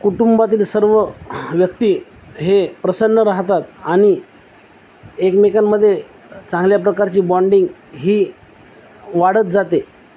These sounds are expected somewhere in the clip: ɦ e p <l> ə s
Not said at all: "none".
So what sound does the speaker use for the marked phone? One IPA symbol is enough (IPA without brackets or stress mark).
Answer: ɾ